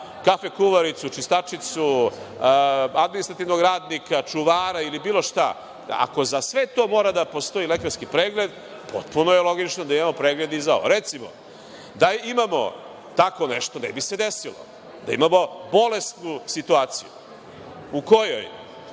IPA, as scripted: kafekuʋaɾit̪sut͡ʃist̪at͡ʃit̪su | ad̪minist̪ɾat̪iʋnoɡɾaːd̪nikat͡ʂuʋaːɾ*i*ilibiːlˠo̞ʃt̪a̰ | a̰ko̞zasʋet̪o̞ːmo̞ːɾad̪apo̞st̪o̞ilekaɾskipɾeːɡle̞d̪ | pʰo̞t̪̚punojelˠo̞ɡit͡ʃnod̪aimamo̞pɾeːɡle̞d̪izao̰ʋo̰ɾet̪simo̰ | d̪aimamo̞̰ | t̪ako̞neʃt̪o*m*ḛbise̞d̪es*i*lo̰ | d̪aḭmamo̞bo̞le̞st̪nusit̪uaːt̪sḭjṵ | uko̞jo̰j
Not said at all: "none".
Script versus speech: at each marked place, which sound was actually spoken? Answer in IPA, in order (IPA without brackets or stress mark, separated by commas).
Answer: a, n, i